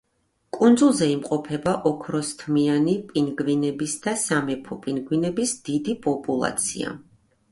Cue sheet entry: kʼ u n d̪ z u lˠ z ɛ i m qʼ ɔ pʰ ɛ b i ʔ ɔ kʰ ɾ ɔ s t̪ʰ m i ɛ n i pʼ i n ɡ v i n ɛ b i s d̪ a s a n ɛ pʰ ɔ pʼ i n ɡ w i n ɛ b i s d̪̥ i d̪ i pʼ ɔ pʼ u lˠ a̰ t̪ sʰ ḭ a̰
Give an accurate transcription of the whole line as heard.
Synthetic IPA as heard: kʼ u n d̪ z u lˠ z ɛ i m qʼ ɔ pʰ ɛ b a ʔ ɔ kʰ ɾ ɔ s t̪ʰ m i a n i pʼ i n ɡ v i n ɛ b i s d̪ a s a m ɛ pʰ ɔ pʼ i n ɡ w i n ɛ b i s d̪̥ i d̪ i pʼ ɔ pʼ u lˠ a̰ t̪ sʰ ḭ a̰